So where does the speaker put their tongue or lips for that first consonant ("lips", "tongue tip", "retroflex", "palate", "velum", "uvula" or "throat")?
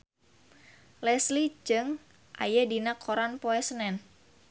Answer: tongue tip